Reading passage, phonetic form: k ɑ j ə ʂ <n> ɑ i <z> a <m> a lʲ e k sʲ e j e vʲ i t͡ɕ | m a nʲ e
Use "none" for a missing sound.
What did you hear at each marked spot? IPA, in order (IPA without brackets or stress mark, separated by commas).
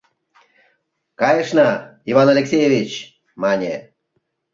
n, v, n